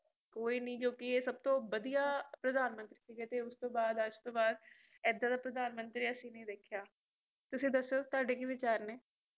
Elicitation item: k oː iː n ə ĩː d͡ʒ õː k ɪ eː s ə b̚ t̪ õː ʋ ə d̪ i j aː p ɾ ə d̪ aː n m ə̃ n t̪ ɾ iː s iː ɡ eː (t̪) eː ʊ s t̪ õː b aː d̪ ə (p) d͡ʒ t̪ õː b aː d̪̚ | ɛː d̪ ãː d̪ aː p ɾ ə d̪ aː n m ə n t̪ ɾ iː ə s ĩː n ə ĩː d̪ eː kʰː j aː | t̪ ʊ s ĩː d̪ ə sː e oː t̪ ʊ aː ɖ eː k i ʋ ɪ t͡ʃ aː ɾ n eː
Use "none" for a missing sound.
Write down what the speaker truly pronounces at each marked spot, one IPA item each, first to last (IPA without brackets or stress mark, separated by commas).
t̪, none